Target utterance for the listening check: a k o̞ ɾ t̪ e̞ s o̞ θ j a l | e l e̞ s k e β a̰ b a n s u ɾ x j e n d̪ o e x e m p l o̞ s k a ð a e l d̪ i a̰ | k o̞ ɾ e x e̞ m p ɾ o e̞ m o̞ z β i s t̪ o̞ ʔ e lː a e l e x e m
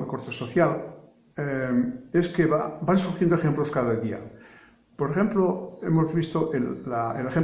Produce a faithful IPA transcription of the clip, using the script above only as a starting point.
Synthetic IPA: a k o̞ ɾ t̪ e̞ s o̞ θ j a l | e e̞ s k e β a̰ b a n s u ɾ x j e n d̪ o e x e m p l o̞ s k a ð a e l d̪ i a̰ | p o̞ ɾ e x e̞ m p l o e̞ m o̞ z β i s t̪ o̞ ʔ e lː a e l e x e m